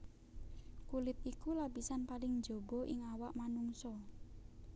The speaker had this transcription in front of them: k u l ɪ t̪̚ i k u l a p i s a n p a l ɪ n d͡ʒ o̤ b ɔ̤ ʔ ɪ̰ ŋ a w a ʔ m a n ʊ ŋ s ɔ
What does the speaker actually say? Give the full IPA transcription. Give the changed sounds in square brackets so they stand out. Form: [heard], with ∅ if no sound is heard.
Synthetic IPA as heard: k u l ɪ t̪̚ i k u l a p i s a n p a l ɪ [ŋ] d͡ʒ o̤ b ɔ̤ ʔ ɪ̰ ŋ a w a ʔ m a n [u] ŋ s ɔ